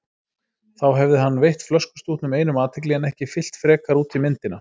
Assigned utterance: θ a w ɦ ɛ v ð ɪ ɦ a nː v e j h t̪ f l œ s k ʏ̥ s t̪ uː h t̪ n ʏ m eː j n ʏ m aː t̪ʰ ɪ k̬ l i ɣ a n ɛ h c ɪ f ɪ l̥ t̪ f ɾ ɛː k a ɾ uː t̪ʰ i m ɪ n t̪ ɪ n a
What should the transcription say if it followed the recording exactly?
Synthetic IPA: θ a w ɦ ɛ v ð ɪ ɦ a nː v e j h t̪ f l œ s k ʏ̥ s t̪ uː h t̪ n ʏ m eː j n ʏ m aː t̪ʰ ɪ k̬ l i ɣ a n ɛ h c ɪ f ɪ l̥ t̪ f ɾ ɛː k a ɾ uː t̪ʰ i m ɪ n t̪ ɪ n a